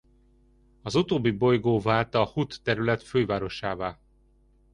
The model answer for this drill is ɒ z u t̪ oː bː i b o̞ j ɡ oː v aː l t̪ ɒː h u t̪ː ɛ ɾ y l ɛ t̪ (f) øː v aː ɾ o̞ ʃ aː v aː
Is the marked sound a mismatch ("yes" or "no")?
no